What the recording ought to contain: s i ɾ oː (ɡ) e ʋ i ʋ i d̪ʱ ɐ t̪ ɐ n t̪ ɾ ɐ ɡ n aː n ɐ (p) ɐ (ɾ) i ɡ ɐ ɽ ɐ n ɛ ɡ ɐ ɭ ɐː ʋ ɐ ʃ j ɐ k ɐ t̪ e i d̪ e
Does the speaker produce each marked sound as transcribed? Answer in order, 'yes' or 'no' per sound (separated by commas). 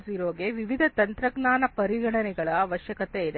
yes, yes, yes